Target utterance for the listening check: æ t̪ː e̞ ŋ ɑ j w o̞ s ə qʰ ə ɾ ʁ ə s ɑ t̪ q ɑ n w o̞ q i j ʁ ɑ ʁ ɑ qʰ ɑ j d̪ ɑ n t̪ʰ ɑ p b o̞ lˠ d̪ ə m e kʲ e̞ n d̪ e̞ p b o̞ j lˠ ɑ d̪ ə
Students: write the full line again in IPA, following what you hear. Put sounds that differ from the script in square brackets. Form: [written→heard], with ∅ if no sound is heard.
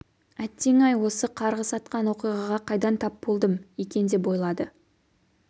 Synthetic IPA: æ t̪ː e̞ ŋ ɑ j w o̞ s ə qʰ [ə→ɑ] ɾ ʁ ə s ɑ t̪ q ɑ n w o̞ q i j ʁ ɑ ʁ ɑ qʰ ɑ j d̪ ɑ n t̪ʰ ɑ p b o̞ lˠ d̪ ə m e kʲ e̞ n d̪ e̞ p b o̞ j lˠ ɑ d̪ ə